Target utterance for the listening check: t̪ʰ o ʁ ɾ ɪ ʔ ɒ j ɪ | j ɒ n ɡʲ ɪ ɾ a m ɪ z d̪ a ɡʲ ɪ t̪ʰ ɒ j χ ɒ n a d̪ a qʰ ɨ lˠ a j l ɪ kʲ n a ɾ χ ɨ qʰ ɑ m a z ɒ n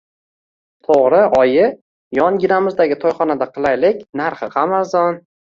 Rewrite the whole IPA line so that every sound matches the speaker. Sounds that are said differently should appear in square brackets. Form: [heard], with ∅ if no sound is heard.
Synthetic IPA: t̪ʰ o ʁ ɾ ɪ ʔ ɒ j ɪ | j ɒ n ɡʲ ɪ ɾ a m ɪ z d̪ a ɡʲ ɪ t̪ʰ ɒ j χ ɒ n a d̪ a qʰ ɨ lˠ a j l ɪ kʲ n a ɾ χ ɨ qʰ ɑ m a z ɒ n